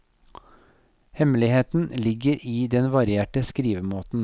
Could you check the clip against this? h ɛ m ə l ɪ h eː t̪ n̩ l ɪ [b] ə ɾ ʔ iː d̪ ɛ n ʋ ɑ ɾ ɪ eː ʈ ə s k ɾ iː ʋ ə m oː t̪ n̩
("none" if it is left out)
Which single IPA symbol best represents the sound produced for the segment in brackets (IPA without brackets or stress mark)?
ɡ